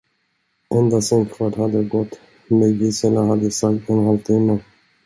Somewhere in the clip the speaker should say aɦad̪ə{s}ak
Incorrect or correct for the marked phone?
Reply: correct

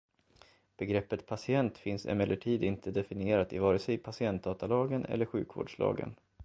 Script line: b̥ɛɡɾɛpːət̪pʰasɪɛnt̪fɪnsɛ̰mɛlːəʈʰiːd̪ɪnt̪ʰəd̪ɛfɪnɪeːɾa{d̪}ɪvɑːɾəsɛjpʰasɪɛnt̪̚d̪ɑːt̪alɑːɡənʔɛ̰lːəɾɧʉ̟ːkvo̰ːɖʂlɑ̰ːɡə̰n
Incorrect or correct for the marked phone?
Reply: incorrect: t̪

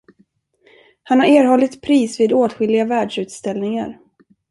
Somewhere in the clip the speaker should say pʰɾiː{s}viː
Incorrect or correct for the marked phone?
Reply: correct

